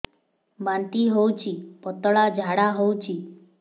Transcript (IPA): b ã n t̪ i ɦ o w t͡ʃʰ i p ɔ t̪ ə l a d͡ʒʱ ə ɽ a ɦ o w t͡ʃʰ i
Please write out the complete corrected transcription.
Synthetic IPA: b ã n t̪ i ɦ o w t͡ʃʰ i p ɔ t̪ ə ɭ a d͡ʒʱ a ɽ a ɦ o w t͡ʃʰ i